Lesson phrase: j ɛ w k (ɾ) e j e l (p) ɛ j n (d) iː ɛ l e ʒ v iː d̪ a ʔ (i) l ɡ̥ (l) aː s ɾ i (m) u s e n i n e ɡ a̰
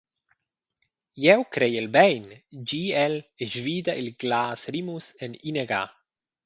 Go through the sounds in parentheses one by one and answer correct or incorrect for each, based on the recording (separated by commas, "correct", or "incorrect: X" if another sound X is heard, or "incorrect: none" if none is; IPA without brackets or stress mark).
correct, incorrect: b, incorrect: d͡ʒ, correct, correct, correct